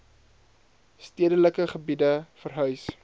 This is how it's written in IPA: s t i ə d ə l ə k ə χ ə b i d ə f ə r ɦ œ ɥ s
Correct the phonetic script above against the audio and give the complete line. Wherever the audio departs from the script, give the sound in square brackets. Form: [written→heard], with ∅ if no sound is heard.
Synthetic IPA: s t i ə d ə l ə k ə χ ə b i d ə f ə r ɦ œ ɥ s